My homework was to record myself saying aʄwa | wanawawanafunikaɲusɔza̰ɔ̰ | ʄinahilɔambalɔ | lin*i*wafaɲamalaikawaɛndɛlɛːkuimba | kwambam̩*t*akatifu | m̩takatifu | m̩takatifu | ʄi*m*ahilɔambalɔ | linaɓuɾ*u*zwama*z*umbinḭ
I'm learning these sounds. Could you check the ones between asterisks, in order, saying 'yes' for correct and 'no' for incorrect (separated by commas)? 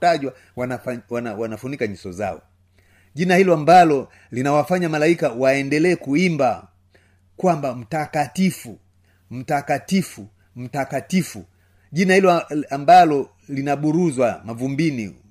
no, yes, no, yes, no